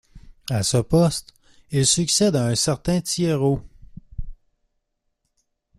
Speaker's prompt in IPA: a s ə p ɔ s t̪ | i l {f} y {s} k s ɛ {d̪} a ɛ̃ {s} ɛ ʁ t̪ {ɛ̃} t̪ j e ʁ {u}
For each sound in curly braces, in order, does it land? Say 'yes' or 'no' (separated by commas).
no, no, yes, yes, yes, no